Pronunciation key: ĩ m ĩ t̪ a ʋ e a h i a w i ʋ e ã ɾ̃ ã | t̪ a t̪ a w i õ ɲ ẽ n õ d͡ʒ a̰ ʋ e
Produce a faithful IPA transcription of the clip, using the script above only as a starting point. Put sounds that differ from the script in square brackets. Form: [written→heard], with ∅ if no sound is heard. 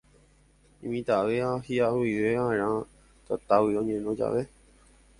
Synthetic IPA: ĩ m ĩ t̪ a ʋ e a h i a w i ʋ e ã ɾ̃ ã | t̪ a t̪ a w i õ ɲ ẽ n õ d͡ʒ a̰ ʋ e